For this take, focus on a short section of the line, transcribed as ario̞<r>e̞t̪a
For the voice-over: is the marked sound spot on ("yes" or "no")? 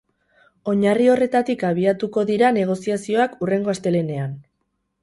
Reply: yes